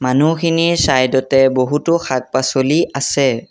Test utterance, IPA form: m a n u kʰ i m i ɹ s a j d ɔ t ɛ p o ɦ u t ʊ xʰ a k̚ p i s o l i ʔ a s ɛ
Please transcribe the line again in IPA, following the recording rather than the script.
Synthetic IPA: m a n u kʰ i n i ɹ s a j d ɔ t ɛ b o ɦ u t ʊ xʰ a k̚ p a s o l i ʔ a s ɛ